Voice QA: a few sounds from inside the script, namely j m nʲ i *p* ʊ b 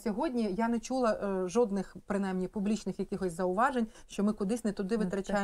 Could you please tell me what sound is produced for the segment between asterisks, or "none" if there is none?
p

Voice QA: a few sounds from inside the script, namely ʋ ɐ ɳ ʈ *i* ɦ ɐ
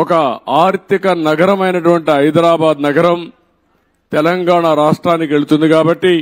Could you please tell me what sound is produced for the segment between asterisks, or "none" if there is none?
i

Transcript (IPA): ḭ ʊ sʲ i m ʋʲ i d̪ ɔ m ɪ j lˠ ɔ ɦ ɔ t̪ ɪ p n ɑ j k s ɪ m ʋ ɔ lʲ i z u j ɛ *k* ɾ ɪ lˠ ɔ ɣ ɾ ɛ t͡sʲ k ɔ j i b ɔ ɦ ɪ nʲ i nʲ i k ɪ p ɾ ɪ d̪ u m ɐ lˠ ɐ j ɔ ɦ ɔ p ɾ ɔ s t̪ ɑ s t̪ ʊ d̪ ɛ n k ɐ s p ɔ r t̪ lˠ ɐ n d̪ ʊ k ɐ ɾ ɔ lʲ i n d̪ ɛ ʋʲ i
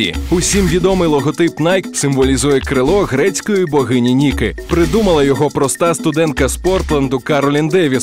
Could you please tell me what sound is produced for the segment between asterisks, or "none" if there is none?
k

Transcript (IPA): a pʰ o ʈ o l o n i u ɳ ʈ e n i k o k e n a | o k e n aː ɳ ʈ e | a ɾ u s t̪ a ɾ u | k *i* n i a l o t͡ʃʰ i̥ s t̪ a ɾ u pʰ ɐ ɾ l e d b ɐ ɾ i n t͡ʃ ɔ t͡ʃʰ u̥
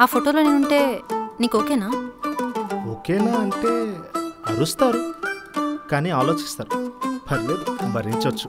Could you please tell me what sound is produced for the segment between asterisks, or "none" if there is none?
a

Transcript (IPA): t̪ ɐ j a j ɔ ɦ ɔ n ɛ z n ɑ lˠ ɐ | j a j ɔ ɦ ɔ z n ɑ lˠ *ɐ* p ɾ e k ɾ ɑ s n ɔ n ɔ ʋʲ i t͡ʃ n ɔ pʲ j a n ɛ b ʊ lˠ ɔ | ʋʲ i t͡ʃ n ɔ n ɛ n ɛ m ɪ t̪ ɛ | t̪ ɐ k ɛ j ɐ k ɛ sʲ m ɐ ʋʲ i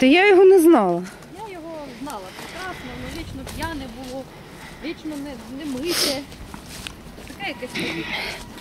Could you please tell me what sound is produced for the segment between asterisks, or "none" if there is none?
ɐ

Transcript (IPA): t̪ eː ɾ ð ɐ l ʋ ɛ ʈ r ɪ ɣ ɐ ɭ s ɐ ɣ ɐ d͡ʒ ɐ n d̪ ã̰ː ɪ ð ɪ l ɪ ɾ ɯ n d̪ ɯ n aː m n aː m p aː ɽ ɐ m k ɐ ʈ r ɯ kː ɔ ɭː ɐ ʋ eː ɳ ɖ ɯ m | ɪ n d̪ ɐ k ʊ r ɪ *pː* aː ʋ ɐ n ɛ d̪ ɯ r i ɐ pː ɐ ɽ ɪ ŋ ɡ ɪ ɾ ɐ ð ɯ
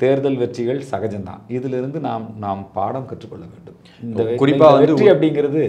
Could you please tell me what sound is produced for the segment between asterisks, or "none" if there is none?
pː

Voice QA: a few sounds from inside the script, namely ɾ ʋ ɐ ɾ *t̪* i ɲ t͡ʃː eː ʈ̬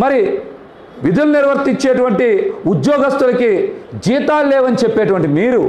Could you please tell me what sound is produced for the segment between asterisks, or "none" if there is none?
t̪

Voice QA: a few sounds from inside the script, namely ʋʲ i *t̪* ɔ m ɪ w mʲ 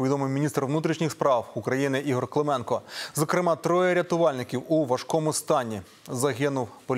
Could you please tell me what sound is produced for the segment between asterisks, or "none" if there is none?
d̪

